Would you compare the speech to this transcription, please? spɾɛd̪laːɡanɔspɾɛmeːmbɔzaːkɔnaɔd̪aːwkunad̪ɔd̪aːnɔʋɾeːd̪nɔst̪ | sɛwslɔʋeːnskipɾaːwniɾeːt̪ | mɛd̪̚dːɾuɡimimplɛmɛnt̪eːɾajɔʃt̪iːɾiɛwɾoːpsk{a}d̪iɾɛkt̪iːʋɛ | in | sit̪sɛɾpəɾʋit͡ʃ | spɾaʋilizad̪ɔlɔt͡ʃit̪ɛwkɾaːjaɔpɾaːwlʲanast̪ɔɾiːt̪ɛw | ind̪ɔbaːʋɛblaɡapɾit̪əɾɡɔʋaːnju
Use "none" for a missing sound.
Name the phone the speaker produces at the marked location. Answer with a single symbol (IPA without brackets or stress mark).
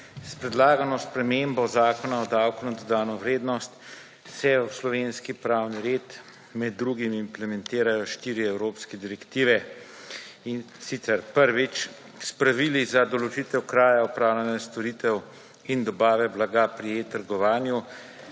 ɛ